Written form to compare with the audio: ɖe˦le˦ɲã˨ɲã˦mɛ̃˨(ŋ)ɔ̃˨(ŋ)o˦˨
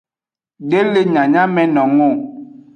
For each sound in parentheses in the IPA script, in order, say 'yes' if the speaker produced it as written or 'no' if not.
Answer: no, yes

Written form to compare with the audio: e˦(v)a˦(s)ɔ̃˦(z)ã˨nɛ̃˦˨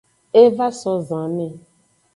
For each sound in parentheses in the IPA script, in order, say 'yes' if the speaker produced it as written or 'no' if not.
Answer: yes, yes, yes

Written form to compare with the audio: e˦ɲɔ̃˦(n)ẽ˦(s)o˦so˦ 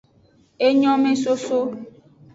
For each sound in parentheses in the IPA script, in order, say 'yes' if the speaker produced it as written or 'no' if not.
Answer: no, yes

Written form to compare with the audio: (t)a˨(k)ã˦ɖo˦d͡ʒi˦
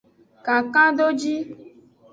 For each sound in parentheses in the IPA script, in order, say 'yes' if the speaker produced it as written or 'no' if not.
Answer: no, yes

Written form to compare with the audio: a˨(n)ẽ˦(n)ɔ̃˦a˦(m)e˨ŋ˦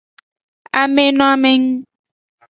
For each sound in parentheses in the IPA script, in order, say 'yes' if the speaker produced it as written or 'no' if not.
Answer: no, yes, yes

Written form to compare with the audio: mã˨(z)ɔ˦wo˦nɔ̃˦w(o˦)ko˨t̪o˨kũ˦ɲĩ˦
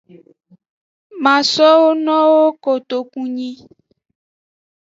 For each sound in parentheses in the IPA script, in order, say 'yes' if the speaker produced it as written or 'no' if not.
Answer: no, yes

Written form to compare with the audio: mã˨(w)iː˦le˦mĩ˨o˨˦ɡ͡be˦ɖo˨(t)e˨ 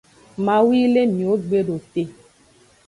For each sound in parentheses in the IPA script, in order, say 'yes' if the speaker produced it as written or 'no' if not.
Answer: yes, yes

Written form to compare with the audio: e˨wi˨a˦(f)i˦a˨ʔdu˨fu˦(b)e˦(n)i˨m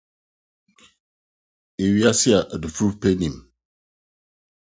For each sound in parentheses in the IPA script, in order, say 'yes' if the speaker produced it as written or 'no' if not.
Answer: no, no, yes

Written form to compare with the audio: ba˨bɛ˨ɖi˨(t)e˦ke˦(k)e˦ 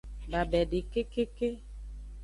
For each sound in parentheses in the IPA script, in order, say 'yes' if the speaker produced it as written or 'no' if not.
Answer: no, yes

